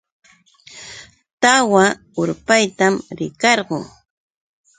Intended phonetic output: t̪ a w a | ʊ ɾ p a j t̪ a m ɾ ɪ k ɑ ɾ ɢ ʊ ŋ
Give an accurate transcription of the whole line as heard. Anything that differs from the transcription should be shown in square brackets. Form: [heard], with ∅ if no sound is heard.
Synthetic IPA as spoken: t̪ a w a | ʊ ɾ p a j t̪ a m ɾ ɪ k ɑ ɾ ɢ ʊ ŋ